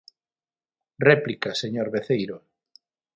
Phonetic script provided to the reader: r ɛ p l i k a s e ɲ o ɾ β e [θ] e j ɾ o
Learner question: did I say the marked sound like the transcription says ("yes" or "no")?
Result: yes